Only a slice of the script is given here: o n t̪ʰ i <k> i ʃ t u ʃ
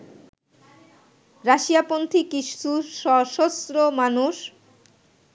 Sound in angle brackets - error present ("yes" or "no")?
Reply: no